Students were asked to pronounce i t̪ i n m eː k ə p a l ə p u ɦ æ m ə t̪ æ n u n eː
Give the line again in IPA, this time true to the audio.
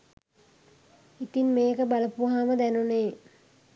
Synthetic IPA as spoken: i t̪ i n m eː k ə b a l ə p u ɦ a m ə d̪ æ n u n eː